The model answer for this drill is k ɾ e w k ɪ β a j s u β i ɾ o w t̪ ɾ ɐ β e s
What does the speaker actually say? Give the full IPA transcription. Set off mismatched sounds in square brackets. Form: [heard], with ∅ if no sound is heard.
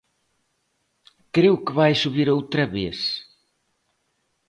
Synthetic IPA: k ɾ e w k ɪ β a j s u β i ɾ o w t̪ ɾ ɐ β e s